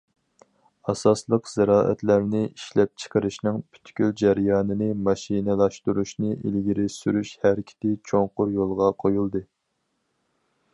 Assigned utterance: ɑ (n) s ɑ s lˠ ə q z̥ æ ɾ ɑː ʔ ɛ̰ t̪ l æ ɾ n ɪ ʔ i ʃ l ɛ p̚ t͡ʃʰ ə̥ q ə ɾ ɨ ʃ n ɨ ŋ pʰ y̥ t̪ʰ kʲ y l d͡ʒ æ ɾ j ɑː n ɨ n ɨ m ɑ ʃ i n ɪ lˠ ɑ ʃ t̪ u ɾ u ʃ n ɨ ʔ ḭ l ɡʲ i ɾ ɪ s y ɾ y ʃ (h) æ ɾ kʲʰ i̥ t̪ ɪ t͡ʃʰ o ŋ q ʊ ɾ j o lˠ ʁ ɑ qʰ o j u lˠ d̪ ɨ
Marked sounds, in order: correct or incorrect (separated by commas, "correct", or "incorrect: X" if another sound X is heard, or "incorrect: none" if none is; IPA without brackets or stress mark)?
incorrect: none, correct